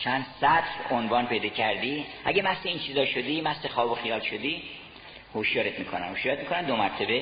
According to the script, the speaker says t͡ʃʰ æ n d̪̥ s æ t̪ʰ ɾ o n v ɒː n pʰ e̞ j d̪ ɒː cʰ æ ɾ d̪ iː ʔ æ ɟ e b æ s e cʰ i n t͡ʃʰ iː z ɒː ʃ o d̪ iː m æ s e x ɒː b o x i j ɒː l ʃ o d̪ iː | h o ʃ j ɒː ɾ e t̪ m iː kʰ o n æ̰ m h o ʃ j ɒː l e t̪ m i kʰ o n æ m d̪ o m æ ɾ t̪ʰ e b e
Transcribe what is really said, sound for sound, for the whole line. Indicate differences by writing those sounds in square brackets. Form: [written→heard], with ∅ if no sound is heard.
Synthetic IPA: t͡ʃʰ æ n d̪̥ s æ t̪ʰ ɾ o n v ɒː n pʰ e̞ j d̪ ɒː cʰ æ ɾ d̪ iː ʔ æ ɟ e [b→m] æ s e [cʰ→∅] i n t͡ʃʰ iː z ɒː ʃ o d̪ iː m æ s e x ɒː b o x i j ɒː l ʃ o d̪ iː | h o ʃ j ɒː ɾ e t̪ m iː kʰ o n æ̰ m h o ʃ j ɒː [l→ɾ] e t̪ m i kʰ o n æ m d̪ o m æ ɾ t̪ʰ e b e